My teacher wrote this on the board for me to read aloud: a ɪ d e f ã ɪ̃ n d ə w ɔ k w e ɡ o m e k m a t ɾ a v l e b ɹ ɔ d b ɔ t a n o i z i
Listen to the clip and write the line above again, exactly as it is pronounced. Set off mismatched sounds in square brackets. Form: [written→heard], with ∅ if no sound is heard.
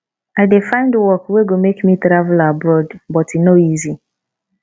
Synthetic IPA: a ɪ d e f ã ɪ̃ n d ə w ɔ k w e ɡ o m e k m [a→i] t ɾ a v l [e→a] b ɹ ɔ d b ɔ t [a→i] n o i z i